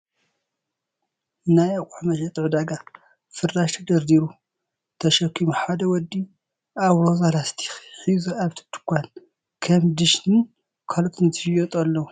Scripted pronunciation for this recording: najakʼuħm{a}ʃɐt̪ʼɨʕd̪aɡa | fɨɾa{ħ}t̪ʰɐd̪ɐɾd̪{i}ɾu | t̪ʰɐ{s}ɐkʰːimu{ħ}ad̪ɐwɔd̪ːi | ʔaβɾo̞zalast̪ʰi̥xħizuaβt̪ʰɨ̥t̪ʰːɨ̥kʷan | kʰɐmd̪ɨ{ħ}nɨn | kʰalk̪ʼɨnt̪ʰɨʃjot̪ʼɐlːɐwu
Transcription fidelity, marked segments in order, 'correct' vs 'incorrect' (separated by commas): incorrect, incorrect, correct, incorrect, correct, incorrect